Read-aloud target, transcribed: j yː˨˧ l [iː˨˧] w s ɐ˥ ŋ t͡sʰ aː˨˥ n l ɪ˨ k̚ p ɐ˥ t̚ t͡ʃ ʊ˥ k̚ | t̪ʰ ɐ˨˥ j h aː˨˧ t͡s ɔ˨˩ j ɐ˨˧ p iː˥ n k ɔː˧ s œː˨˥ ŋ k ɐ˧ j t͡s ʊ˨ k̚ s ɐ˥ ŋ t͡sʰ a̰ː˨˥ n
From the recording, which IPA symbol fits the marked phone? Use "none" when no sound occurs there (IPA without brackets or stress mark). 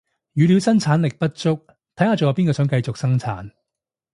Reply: i˨˧